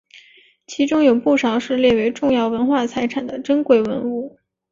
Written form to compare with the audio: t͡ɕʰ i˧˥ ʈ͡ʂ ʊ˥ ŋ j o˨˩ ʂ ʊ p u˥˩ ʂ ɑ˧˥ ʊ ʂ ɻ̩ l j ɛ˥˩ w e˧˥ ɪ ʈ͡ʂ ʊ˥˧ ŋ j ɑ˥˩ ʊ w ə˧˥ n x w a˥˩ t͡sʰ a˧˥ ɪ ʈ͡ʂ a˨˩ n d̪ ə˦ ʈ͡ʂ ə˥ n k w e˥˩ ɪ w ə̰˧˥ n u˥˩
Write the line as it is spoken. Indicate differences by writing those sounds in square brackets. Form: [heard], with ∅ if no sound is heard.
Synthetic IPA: t͡ɕʰ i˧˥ ʈ͡ʂ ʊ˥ ŋ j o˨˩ [∅] ʊ p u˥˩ ʂ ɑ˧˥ ʊ ʂ ɻ̩ l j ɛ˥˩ w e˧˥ ɪ ʈ͡ʂ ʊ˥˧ ŋ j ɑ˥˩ ʊ w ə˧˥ n x w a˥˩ t͡sʰ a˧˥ ɪ [ʈ͡ʂʰ] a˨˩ n d̪ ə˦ ʈ͡ʂ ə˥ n k w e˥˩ ɪ w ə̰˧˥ n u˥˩

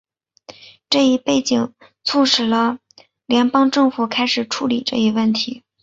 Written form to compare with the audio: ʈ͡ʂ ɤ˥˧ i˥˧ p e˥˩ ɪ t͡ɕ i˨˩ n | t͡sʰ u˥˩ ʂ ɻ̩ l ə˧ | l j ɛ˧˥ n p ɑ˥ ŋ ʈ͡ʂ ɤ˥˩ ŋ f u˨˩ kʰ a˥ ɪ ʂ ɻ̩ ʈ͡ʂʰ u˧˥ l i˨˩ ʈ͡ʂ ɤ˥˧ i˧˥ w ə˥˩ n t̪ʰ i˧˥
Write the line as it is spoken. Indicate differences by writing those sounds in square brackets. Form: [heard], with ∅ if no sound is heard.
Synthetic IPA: ʈ͡ʂ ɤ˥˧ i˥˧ p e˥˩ ɪ t͡ɕ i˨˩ [ŋ] | t͡sʰ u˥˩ ʂ ɻ̩ l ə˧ | l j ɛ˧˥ n p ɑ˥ ŋ ʈ͡ʂ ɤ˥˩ ŋ f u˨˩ kʰ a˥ ɪ ʂ ɻ̩ ʈ͡ʂʰ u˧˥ l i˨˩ ʈ͡ʂ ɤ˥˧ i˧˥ w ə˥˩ n t̪ʰ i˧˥

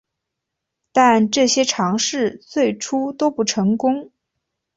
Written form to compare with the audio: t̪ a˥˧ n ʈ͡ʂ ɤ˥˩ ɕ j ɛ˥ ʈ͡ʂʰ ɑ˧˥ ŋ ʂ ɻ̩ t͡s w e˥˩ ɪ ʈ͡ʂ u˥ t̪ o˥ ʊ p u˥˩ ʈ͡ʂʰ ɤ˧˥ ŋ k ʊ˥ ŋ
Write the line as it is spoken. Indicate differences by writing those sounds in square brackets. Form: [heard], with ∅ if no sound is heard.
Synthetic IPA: t̪ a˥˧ n ʈ͡ʂ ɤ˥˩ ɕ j ɛ˥ ʈ͡ʂʰ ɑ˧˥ ŋ ʂ ɻ̩ t͡s w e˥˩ ɪ [ʈ͡ʂʰ] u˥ t̪ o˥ ʊ p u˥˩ ʈ͡ʂʰ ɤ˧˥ ŋ k ʊ˥ ŋ

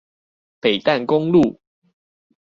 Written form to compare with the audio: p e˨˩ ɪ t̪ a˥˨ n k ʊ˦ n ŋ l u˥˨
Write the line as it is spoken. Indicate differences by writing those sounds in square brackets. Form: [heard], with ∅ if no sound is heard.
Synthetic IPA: p e˨˩ ɪ t̪ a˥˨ n k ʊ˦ [∅] ŋ l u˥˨

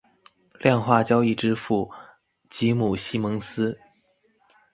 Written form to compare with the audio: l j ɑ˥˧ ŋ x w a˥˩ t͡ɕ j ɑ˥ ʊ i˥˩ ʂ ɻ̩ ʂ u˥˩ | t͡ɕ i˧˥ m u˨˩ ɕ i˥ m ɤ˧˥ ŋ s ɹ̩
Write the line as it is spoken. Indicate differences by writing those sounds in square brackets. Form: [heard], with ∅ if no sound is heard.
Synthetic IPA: l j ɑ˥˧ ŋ x w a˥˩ t͡ɕ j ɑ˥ ʊ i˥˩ [ʈ͡ʂ] ɻ̩ [f] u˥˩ | t͡ɕ i˧˥ m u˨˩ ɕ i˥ m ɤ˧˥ ŋ s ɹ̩

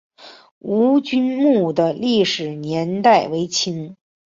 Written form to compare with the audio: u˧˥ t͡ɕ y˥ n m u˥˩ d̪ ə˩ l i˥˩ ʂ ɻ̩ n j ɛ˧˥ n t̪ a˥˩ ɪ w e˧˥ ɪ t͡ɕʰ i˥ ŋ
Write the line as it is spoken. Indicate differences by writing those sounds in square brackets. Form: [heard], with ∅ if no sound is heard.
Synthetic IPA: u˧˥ t͡ɕ y˥ n m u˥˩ d̪ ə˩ l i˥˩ ʂ ɻ̩ n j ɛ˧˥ n t̪ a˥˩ ɪ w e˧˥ ɪ t͡ɕʰ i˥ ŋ

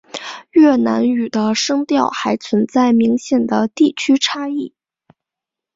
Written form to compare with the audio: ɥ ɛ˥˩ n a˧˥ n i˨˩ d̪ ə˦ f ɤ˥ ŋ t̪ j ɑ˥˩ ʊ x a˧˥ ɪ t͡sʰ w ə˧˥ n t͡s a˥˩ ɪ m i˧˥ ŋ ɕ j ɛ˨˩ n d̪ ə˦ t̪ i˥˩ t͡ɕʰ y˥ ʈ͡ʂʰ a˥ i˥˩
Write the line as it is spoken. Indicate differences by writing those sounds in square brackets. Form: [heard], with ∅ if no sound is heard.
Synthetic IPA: ɥ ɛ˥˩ n a˧˥ n [y˨˩] d̪ ə˦ [ʂ] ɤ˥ ŋ t̪ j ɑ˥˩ ʊ x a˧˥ ɪ t͡sʰ w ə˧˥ n t͡s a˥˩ ɪ m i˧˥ ŋ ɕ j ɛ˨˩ n d̪ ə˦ t̪ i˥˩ t͡ɕʰ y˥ ʈ͡ʂʰ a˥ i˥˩

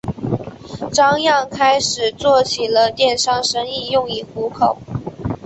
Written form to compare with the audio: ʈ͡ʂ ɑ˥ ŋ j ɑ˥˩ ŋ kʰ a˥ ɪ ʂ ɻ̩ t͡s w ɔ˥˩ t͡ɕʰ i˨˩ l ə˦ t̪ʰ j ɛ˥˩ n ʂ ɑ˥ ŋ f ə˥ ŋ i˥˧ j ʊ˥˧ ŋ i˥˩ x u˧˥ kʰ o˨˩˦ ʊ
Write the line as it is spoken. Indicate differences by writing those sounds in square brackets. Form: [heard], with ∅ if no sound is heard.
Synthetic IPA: ʈ͡ʂ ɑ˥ ŋ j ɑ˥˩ ŋ kʰ a˥ ɪ ʂ ɻ̩ t͡s w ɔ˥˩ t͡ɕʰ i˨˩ l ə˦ [t̪] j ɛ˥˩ n ʂ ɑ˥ ŋ [ʂ] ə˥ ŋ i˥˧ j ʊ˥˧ ŋ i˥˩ x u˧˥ kʰ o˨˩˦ ʊ

